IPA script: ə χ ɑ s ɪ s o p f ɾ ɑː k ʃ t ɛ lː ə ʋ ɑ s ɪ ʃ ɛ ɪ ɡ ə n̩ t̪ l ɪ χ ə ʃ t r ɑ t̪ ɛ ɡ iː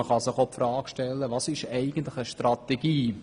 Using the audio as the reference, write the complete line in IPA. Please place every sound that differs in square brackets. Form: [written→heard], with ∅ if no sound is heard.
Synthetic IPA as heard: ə χ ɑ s ɪ [s→χ] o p f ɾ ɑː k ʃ t ɛ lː ə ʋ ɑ s ɪ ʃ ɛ ɪ ɡ ə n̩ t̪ l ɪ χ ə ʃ t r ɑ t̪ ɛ ɡ iː

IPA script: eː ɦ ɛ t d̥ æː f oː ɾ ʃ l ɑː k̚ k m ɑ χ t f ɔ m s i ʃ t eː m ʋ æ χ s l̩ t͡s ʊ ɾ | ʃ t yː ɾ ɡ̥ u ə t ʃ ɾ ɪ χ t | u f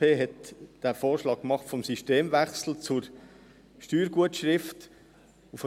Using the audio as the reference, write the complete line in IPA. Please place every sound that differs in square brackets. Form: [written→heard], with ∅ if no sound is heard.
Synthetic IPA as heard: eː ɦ ɛ t d̥ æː f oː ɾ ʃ l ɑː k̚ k m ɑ χ t f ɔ m s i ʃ t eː m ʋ æ χ s l̩ t͡s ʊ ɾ | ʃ t yː ɾ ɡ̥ u ə t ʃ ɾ ɪ [χ→f] t | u f

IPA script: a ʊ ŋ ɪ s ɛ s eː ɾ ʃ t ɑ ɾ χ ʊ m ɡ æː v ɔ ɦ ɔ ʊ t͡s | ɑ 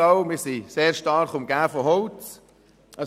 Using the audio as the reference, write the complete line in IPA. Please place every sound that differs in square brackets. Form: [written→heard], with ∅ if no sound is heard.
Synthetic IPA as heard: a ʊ [ŋ→m] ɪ s [ɛ→i] s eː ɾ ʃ t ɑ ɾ χ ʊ m ɡ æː [v→f] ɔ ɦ ɔ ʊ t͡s | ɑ

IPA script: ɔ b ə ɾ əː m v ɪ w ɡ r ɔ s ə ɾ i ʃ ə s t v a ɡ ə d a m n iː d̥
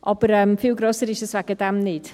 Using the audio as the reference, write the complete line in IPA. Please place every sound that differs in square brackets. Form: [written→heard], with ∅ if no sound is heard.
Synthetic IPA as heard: ɔ b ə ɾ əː m [v→f] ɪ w ɡ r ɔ s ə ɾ i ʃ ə s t v a ɡ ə d a m n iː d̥

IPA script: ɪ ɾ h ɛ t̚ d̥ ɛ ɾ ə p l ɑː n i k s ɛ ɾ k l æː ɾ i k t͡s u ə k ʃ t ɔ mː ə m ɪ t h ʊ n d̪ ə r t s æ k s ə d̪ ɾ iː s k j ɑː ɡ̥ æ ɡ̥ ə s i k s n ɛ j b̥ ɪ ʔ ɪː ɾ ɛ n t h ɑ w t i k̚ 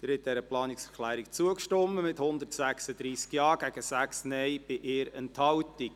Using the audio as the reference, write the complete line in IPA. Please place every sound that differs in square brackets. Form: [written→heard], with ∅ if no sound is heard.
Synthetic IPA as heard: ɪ ɾ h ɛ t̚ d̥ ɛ ɾ ə p l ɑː n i k s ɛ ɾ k l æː ɾ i k t͡s u ə k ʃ t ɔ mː ə m ɪ t h ʊ n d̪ ə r t s æ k s ə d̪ ɾ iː s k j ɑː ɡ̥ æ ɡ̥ ə s [i→æ] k s n ɛ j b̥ ɪ ʔ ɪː ɾ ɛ n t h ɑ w t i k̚

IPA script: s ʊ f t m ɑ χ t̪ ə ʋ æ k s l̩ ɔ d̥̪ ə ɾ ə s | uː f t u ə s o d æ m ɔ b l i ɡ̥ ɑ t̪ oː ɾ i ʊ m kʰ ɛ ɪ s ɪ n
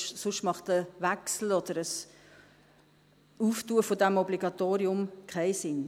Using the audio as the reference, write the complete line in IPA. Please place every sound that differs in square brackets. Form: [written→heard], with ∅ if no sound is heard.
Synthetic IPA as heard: s ʊ [f→ʃ] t m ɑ χ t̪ ə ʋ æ k s l̩ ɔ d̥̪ ə ɾ ə s | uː f t u ə [s→f] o d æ m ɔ b l i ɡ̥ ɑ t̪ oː ɾ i ʊ m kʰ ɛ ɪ s ɪ n

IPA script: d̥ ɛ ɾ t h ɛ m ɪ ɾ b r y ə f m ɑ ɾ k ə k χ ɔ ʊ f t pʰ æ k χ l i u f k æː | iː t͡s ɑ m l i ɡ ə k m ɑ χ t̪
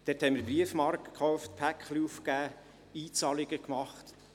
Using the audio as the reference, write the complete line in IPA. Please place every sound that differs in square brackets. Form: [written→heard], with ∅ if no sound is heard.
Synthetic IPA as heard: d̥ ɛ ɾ t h ɛ m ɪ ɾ b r [y→i] ə f m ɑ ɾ k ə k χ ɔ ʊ f t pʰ æ k χ l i u f k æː | iː t͡s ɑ [m→∅] l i ɡ ə k m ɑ χ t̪

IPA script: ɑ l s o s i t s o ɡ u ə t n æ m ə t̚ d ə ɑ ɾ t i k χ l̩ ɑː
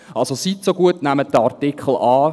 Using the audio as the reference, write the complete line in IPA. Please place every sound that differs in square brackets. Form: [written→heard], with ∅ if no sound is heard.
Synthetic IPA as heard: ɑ l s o s i t s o ɡ u ə t n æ m ə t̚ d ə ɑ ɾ t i k χ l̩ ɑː

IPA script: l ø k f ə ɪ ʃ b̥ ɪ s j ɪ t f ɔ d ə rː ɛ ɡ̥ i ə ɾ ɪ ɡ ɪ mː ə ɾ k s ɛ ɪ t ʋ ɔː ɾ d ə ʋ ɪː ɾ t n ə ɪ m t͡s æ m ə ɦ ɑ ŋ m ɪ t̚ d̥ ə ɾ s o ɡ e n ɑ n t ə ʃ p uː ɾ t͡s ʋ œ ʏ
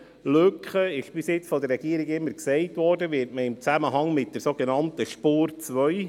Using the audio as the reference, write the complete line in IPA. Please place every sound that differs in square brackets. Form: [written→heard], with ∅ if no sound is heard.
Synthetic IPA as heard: l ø k [f→χ] ə ɪ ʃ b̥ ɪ s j ɪ [t→t͡s] f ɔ d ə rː ɛ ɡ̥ i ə ɾ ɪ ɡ ɪ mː ə ɾ k s ɛ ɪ t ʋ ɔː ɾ d ə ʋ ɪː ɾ t [n→m] ə ɪ m t͡s æ m ə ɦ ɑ ŋ m ɪ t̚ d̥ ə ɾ s o ɡ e n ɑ n t ə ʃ p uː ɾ t͡s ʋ œ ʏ

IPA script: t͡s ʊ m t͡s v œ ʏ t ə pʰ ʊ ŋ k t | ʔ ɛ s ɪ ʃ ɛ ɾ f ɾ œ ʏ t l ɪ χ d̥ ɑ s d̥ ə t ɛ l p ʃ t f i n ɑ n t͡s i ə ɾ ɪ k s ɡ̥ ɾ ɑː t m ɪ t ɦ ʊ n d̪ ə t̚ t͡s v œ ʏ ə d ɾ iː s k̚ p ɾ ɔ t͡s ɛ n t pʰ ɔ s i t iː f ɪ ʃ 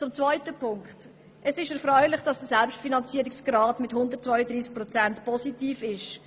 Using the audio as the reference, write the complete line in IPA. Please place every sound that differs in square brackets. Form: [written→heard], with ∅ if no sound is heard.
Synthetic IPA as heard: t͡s ʊ m t͡s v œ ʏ t ə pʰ ʊ ŋ k t | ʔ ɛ s ɪ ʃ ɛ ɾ f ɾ œ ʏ [t→∅] l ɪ χ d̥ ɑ s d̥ ə [t→s] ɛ l p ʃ t f i n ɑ n t͡s i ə ɾ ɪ k s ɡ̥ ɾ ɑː t m ɪ t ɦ ʊ n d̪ ə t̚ t͡s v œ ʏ ə d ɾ iː s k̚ p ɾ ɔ t͡s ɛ n t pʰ ɔ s i t iː f ɪ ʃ

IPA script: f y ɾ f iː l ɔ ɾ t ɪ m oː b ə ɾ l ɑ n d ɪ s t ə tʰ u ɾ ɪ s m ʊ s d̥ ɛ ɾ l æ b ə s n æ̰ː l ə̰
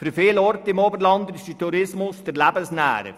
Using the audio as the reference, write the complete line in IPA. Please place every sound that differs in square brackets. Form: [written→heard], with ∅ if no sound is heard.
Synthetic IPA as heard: f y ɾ f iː l ɔ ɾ t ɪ m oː b ə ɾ l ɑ n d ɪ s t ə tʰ u ɾ ɪ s m ʊ s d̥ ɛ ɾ l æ b ə s n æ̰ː [l→ɾ] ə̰

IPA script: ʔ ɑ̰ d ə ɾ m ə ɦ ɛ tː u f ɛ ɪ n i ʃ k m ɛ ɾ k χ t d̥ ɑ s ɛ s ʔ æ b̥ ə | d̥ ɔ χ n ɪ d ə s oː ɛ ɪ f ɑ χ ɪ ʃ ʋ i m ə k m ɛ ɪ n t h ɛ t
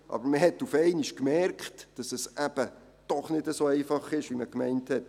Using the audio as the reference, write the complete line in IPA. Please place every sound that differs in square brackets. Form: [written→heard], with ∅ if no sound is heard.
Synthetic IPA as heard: ʔ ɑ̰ [d→b] ə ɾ m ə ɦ ɛ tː u f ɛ ɪ n i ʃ k m ɛ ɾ k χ t d̥ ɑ s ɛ s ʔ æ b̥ ə | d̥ ɔ χ n ɪ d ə s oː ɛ ɪ f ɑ χ ɪ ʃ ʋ i m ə k m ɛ ɪ n t h ɛ t

